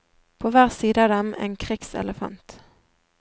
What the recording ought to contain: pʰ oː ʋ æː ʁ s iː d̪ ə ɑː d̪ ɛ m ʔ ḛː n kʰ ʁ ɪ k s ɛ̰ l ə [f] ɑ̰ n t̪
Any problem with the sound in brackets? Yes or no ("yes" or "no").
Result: no